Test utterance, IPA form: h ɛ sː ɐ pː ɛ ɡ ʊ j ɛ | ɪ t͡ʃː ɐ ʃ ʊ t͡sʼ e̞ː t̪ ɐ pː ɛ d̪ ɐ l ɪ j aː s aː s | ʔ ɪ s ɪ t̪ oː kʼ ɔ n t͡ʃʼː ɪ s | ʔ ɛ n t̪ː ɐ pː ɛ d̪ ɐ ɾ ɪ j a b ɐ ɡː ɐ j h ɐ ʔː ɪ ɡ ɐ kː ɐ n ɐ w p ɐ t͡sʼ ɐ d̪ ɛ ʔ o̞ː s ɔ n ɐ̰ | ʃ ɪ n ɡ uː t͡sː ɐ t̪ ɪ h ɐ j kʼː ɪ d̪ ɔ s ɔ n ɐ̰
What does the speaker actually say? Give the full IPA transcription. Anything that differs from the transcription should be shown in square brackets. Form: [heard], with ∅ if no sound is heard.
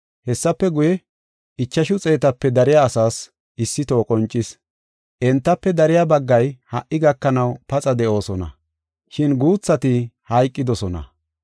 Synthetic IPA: h ɛ sː ɐ pː ɛ ɡ ʊ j ɛ | ɪ t͡ʃː ɐ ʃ ʊ t͡sʼ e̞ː t̪ ɐ pː ɛ d̪ ɐ [ɾ] ɪ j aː s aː s | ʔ ɪ [sː] ɪ t̪ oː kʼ ɔ n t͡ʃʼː ɪ s | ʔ ɛ n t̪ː ɐ pː ɛ d̪ ɐ ɾ ɪ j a b ɐ ɡː ɐ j h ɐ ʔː ɪ ɡ ɐ kː ɐ n ɐ w p ɐ t͡sʼ ɐ d̪ ɛ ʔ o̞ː s ɔ n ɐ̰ | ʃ ɪ n ɡ uː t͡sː ɐ t̪ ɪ h ɐ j kʼː ɪ d̪ ɔ s ɔ n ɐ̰